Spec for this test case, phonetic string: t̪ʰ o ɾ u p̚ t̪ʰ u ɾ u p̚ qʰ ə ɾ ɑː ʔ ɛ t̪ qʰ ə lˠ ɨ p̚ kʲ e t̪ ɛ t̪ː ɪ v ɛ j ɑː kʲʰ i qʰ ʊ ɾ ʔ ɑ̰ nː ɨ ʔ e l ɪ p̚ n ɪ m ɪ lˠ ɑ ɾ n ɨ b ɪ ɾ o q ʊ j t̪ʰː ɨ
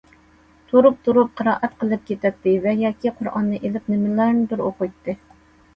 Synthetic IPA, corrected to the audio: t̪ʰ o ɾ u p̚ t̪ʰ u ɾ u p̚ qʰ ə ɾ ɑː ʔ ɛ t̪ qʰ ə lˠ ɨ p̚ kʲ e t̪ ɛ t̪ː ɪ v ɛ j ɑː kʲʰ i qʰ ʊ ɾ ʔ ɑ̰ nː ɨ ʔ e l ɪ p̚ n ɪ m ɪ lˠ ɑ ɾ n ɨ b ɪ ɾ o q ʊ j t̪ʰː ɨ